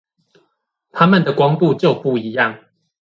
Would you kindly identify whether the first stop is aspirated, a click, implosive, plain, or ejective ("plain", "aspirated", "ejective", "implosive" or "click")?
aspirated